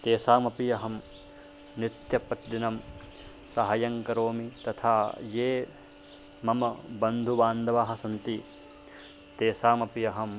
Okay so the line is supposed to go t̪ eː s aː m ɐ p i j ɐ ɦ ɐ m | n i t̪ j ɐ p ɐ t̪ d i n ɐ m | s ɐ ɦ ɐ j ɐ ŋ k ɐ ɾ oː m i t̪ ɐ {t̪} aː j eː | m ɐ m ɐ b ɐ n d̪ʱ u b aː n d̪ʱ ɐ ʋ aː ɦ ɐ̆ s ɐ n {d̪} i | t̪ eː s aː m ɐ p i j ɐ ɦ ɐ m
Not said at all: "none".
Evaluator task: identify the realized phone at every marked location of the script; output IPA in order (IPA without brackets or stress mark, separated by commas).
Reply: t̪ʰ, t̪